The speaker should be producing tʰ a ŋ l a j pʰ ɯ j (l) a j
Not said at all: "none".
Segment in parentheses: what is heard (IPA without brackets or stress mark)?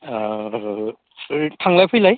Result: l